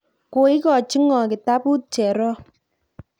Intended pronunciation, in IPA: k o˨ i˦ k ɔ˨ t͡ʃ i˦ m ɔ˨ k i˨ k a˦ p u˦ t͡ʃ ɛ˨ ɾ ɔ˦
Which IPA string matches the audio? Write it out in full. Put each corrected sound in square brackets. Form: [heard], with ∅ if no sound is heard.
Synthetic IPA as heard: k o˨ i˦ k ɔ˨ t͡ʃ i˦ [ŋ] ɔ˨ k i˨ [t] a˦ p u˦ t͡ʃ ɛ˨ ɾ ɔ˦